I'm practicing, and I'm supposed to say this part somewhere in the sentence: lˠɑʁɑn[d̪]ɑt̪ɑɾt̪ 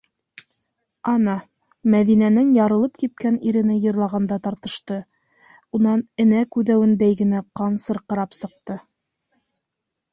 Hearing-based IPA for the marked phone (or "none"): d̪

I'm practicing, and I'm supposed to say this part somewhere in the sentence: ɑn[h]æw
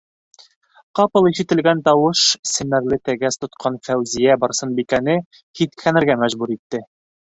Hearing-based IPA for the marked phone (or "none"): f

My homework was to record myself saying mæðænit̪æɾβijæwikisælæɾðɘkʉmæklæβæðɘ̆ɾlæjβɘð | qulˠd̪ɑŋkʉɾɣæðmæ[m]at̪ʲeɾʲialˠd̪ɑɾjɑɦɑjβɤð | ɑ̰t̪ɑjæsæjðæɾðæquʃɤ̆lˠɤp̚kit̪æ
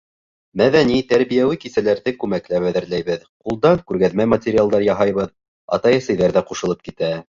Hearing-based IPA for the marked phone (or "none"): m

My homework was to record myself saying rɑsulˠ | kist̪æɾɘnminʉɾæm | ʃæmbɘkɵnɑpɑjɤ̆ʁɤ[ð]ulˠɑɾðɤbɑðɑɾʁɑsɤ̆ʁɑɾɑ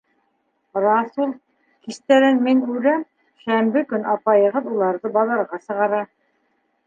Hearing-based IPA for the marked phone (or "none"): ð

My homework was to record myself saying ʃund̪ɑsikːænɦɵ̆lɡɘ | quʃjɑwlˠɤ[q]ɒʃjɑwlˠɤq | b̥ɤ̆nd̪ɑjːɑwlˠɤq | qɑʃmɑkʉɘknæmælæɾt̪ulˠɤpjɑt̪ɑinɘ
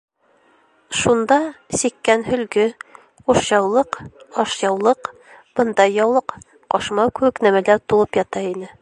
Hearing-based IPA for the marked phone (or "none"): q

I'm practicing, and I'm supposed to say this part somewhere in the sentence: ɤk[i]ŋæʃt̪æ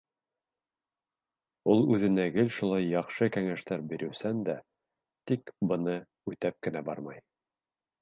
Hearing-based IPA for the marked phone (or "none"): æ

